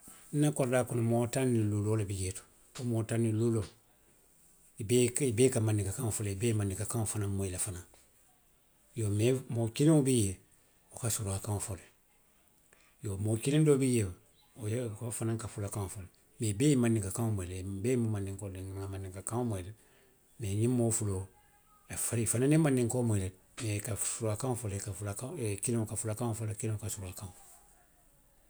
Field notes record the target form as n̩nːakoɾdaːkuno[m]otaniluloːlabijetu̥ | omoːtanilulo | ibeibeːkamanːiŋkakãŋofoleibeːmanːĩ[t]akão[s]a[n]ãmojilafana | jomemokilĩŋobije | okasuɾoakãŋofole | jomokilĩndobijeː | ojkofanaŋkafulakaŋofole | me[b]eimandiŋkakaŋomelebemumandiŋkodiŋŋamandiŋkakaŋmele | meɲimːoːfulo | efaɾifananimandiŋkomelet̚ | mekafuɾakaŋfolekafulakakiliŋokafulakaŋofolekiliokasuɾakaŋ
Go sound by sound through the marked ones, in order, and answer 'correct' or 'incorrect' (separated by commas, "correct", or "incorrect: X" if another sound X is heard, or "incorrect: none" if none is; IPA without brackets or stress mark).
correct, incorrect: k, incorrect: f, correct, correct